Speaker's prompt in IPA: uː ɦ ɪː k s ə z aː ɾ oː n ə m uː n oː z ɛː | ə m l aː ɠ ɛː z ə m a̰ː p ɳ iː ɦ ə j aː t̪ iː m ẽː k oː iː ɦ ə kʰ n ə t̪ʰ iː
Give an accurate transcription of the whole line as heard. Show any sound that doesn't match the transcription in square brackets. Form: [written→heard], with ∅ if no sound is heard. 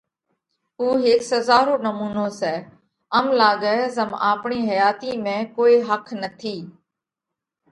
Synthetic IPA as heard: uː ɦ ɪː k s ə z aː ɾ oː n ə m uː n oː [z→s] ɛː | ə m l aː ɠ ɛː z ə m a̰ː p ɳ iː ɦ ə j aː t̪ iː m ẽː k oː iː ɦ ə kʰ n ə t̪ʰ iː